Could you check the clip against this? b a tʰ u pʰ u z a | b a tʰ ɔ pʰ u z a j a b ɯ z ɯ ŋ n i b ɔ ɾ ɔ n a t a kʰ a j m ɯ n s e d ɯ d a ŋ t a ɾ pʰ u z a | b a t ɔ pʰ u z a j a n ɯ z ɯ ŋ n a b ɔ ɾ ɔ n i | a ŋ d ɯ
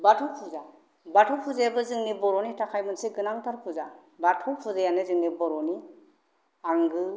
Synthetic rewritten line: b a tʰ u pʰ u z a | b a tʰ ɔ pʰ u z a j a b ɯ z ɯ ŋ n i b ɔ ɾ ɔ n i t a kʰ a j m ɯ n s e ɡ ɯ n a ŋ t a ɾ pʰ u z a | b a tʰ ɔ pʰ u z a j a n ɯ z ɯ ŋ n i b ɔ ɾ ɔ n i | a ŋ ɡ ɯ